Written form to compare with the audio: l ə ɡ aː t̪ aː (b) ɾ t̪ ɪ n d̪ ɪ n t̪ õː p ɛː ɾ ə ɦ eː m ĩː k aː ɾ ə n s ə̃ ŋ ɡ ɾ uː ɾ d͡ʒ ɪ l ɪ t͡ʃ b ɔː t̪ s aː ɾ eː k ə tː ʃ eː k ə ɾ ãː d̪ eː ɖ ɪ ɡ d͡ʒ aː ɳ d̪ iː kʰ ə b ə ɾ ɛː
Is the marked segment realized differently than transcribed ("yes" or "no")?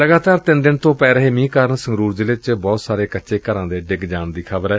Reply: yes